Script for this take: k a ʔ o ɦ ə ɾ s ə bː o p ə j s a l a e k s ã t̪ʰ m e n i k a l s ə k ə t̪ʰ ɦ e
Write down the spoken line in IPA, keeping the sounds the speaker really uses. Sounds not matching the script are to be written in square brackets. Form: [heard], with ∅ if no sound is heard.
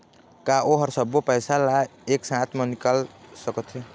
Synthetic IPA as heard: k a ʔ o ɦ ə ɾ s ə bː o p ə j s a l a e k s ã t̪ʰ m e n i k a l s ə k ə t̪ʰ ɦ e